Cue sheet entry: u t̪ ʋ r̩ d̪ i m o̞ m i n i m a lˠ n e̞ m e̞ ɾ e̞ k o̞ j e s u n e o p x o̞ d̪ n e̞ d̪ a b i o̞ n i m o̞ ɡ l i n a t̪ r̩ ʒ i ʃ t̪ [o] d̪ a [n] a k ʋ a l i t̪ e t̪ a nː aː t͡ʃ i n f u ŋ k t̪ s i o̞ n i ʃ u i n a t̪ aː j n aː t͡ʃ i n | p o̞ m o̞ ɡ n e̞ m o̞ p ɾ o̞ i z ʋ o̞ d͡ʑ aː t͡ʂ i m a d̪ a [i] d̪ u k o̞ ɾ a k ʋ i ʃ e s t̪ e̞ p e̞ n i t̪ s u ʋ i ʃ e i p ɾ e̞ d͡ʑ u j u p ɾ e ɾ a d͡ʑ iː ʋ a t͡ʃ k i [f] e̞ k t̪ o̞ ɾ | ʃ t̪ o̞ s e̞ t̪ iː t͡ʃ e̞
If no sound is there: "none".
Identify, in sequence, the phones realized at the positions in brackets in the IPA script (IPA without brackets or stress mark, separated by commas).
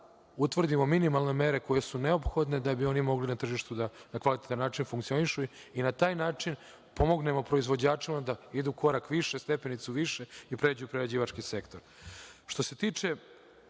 u, n, i, s